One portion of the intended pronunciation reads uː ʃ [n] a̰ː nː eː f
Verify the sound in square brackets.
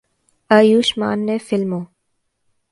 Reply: incorrect: m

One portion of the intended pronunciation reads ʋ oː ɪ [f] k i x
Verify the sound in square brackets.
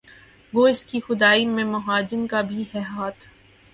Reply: incorrect: s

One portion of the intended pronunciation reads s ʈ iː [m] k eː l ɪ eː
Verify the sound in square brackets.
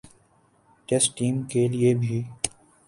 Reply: correct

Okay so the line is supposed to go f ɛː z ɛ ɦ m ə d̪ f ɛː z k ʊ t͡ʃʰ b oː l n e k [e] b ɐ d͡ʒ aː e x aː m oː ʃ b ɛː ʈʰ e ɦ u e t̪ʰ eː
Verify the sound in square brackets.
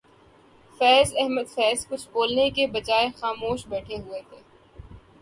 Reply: correct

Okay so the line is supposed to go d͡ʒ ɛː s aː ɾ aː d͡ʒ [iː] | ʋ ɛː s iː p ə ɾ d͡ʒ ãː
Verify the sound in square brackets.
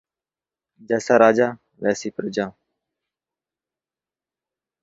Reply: incorrect: aː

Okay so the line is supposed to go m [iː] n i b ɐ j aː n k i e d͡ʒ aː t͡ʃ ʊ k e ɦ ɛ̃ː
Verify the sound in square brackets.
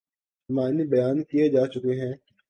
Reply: incorrect: aː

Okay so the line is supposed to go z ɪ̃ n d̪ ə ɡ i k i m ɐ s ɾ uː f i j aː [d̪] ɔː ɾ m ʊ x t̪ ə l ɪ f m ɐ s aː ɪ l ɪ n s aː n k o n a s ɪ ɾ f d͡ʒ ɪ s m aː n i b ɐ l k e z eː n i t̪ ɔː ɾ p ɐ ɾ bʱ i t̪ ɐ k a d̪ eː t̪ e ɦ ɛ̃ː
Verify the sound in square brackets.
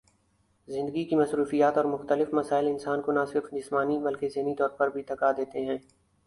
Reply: incorrect: t̪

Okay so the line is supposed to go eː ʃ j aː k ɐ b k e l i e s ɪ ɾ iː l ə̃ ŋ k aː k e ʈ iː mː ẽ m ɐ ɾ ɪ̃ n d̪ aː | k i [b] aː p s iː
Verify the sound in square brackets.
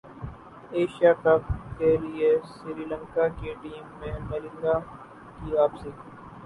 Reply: incorrect: none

